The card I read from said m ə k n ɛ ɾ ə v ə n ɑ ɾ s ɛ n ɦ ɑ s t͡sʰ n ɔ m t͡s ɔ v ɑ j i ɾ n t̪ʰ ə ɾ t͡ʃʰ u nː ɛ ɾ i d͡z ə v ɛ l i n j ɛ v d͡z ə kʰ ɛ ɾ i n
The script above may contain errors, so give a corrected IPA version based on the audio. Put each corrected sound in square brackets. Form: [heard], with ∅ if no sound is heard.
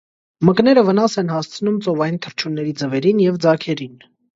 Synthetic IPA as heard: m ə k n ɛ ɾ ə v ə n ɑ [∅] s ɛ n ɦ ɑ s t͡sʰ n [u] m t͡s ɔ v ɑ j i [∅] n t̪ʰ ə ɾ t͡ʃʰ u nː ɛ ɾ i d͡z ə v ɛ [ɾ] i n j ɛ v d͡z [ɑ] kʰ ɛ ɾ i n